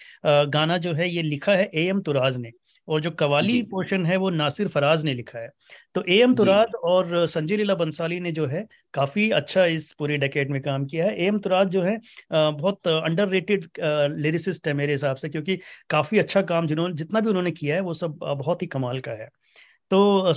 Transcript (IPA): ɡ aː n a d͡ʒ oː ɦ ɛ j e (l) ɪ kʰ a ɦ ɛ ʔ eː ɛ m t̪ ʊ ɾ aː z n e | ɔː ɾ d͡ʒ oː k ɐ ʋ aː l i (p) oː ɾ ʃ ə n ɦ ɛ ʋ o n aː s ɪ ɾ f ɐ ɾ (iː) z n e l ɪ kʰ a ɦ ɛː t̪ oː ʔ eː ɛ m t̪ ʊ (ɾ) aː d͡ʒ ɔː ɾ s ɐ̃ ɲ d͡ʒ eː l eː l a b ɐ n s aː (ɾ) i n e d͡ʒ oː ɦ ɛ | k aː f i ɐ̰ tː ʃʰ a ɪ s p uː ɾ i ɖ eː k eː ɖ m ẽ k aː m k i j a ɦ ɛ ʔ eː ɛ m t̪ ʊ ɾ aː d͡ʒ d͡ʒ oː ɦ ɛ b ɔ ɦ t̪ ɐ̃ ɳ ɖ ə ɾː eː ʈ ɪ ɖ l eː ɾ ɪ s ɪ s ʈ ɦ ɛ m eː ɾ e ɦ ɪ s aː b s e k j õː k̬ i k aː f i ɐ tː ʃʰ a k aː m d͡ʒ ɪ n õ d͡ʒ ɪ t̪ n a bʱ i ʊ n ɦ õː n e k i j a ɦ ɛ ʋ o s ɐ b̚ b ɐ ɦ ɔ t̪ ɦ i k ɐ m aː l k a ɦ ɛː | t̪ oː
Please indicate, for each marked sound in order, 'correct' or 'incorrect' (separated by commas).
correct, correct, incorrect, correct, incorrect